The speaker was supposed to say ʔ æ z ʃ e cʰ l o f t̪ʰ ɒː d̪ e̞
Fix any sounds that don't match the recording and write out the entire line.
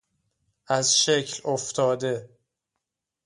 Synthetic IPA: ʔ æ z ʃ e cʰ l o f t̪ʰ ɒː d̪ e̞

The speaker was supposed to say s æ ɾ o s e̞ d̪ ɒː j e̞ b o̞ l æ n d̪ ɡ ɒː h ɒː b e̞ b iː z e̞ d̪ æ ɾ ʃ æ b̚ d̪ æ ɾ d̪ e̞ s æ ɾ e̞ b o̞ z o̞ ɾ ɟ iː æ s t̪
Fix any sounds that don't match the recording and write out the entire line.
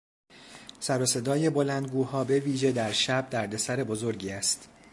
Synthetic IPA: s æ ɾ o s e̞ d̪ ɒː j e̞ b o̞ l æ n d̪ ɡ uː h ɒː b e̞ v iː ʒ e̞ d̪ æ ɾ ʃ æ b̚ d̪ æ ɾ d̪ e̞ s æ ɾ e̞ b o̞ z o̞ ɾ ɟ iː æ s t̪

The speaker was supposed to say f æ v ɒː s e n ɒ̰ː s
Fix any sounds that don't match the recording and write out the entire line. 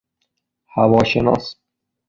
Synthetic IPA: h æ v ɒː ʃ e n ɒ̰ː s

